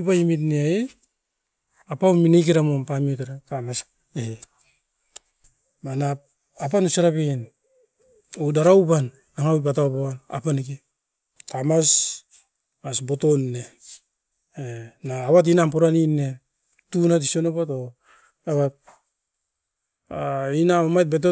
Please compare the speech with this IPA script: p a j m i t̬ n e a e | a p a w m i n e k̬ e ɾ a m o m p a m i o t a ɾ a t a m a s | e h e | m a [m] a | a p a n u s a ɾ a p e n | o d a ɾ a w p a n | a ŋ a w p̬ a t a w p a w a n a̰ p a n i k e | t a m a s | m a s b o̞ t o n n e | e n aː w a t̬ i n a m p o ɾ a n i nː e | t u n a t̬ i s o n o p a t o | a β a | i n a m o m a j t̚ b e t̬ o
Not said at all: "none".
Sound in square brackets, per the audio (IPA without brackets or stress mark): n